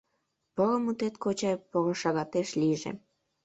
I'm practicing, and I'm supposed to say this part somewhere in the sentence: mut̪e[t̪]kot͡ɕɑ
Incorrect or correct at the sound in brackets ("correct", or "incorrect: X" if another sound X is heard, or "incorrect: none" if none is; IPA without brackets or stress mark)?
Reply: correct